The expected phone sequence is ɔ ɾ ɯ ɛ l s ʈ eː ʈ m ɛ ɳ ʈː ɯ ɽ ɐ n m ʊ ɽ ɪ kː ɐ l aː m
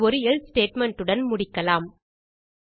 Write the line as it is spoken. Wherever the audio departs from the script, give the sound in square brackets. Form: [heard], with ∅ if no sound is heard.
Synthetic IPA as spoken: ɔ ɾ ɯ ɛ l s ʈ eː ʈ m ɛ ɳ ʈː ɯ ɽ ɐ n m ʊ ɽ ɪ kː ɐ l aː m

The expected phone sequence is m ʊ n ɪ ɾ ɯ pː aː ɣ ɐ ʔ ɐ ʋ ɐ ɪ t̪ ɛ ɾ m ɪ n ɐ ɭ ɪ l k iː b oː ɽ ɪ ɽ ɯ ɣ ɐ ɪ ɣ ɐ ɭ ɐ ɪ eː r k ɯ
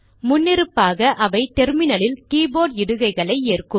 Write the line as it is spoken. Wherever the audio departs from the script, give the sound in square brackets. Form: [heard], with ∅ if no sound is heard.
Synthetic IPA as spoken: m ʊ [nː] ɪ ɾ ɯ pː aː ɣ ɐ ʔ ɐ ʋ ɐ ɪ t̪ ɛ ɾ m ɪ n ɐ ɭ ɪ l k iː b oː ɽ ɪ ɽ ɯ ɣ ɐ ɪ ɣ ɐ ɭ ɐ ɪ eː r k ɯ

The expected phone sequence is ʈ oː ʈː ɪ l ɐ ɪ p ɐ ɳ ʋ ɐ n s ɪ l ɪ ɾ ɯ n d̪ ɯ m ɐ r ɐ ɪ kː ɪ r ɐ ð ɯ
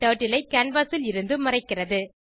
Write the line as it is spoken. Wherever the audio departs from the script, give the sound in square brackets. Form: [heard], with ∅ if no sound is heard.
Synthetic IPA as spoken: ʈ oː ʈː ɪ l ɐ ɪ [k] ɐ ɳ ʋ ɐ [∅] s ɪ l ɪ ɾ ɯ n d̪ ɯ m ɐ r ɐ ɪ kː ɪ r ɐ ð ɯ

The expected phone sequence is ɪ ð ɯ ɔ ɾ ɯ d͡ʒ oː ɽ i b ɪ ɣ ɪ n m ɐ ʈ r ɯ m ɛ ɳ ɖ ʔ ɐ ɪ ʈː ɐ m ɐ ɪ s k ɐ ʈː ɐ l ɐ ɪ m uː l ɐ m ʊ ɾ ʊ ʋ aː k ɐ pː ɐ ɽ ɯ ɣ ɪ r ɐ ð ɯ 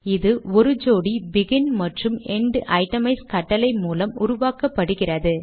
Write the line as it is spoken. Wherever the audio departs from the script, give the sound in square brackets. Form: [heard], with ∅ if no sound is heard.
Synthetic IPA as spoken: ɪ ð ɯ ɔ ɾ ɯ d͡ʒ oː ɽ i b ɪ ɣ ɪ n m ɐ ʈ r ɯ m ɛ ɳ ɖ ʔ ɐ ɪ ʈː ɐ m ɐ ɪ s k ɐ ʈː ɐ l ɐ ɪ m uː l ɐ m ʊ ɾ ʊ ʋ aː k ɐ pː ɐ ɽ ɯ ɣ ɪ r ɐ ð ɯ

